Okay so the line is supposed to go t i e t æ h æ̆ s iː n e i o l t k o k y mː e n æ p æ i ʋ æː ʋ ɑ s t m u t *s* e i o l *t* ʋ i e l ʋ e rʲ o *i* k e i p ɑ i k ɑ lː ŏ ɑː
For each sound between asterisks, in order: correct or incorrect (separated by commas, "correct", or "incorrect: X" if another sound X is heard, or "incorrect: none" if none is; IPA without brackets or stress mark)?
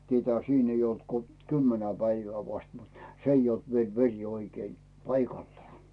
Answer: correct, correct, correct